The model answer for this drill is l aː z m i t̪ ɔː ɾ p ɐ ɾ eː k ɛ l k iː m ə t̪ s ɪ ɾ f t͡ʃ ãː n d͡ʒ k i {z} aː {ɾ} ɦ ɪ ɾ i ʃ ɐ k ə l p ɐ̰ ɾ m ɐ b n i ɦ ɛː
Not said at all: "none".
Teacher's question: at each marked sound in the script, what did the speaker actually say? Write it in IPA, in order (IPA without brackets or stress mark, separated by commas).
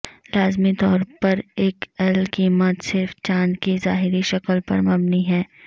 z, none